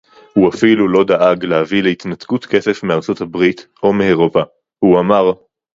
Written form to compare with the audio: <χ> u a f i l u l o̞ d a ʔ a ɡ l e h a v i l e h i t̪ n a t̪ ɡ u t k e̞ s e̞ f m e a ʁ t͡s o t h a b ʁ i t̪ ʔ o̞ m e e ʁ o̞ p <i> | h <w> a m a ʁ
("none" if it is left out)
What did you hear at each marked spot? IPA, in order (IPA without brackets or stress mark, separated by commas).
h, a, u